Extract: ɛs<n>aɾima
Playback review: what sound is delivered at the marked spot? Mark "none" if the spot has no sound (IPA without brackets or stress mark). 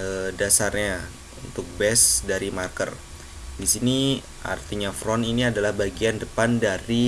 d